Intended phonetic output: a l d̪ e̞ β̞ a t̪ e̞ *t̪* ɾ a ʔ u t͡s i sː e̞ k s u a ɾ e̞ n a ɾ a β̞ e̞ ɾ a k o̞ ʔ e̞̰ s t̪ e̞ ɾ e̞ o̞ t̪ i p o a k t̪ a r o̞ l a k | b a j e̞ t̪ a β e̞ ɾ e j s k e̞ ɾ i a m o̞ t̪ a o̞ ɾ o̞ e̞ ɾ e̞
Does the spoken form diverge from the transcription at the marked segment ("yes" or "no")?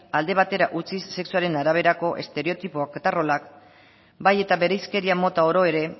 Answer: yes